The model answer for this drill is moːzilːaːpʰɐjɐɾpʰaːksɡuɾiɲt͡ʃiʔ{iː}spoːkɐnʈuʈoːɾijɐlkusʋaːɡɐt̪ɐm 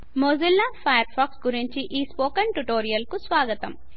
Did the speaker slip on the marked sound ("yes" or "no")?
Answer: no